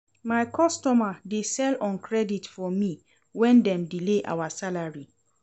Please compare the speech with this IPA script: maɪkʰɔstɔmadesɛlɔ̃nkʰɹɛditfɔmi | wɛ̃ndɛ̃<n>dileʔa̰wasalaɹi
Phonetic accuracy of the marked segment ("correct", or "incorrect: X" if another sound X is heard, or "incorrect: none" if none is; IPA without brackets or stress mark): incorrect: m